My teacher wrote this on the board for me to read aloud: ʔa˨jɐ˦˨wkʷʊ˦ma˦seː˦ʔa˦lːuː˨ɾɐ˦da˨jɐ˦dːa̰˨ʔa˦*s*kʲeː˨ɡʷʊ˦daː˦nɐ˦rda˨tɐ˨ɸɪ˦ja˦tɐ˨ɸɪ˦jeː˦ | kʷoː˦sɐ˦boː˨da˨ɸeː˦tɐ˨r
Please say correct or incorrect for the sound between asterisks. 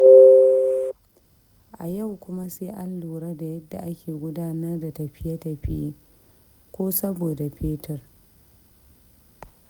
incorrect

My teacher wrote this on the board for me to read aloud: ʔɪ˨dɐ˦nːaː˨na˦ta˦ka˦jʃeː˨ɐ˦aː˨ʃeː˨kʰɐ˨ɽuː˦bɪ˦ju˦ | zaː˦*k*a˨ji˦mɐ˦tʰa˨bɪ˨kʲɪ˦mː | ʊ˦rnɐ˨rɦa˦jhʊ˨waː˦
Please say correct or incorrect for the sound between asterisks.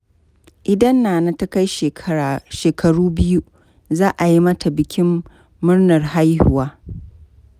incorrect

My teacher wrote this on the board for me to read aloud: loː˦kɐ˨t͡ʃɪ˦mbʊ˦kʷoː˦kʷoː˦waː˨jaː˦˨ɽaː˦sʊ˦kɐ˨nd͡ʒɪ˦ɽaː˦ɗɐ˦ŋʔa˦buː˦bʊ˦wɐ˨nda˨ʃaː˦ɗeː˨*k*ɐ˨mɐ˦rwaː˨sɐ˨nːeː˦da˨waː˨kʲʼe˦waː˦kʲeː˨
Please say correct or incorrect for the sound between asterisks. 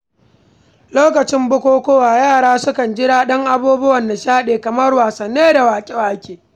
correct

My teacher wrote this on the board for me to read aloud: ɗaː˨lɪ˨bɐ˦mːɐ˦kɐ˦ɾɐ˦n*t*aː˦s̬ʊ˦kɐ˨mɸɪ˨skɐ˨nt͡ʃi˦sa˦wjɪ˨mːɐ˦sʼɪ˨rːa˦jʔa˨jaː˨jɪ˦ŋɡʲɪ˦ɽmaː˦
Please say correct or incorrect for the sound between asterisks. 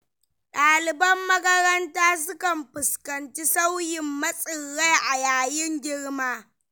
correct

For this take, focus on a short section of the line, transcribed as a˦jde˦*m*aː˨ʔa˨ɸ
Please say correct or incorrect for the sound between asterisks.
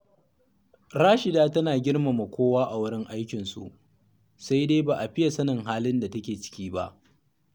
incorrect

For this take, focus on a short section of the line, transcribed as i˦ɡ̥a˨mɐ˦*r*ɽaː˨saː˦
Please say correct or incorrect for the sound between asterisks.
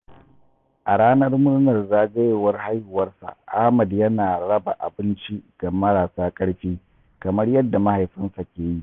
incorrect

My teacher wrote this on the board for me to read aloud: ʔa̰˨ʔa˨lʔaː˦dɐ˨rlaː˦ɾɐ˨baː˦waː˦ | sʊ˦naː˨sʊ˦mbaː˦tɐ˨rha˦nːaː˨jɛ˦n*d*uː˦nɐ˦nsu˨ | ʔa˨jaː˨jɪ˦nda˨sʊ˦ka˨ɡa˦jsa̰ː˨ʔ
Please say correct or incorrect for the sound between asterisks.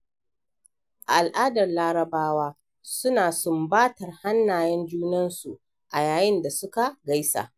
incorrect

